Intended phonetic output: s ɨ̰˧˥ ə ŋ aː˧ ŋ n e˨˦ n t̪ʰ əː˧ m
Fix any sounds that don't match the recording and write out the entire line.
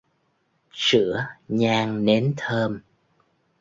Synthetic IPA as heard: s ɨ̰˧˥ ə ɲ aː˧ ŋ n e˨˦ n t̪ʰ əː˧ m